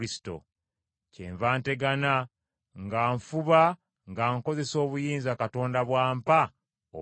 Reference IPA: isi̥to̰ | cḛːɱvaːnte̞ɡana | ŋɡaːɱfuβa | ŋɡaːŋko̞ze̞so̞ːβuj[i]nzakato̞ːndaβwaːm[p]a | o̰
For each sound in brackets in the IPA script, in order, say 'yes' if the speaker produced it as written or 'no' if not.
no, yes

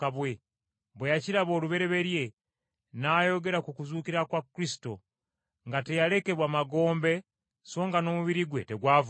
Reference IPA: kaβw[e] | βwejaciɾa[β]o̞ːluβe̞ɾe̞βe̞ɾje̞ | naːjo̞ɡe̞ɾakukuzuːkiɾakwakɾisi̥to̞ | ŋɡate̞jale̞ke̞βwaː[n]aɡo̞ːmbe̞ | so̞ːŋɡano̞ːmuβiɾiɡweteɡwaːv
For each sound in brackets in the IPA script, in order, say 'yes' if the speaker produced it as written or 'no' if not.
yes, yes, no

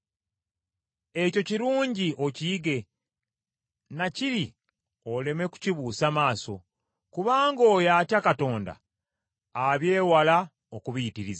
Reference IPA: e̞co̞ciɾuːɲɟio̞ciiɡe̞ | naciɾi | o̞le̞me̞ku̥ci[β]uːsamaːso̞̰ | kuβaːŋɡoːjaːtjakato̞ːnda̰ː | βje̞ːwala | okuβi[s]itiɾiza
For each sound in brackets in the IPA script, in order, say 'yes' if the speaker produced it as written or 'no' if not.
yes, no

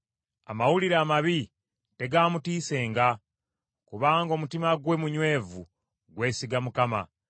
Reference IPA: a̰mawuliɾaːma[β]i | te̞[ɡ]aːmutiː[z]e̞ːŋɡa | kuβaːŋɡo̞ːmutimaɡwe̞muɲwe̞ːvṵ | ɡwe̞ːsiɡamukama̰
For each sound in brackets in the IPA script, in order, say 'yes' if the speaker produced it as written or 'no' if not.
yes, yes, no

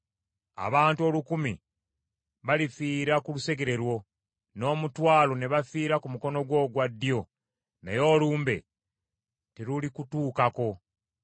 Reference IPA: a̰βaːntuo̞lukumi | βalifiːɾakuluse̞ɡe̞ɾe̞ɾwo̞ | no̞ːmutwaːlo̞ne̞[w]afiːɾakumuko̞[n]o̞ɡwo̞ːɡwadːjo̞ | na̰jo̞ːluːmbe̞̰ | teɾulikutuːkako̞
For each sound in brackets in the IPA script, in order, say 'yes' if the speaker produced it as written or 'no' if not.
no, yes

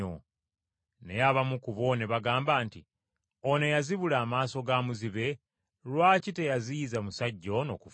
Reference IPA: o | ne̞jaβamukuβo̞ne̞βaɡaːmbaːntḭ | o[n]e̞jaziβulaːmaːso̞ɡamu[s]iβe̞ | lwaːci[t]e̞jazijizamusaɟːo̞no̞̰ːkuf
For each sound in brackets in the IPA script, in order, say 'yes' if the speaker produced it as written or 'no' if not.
yes, no, yes

